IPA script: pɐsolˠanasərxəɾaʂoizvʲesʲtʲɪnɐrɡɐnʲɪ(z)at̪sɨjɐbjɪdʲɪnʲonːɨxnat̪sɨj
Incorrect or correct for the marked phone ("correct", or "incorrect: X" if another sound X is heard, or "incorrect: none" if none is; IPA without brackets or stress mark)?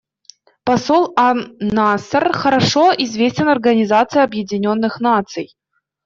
correct